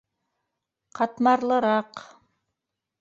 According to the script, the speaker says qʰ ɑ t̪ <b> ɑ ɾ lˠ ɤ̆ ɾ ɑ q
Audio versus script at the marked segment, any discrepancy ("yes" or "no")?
yes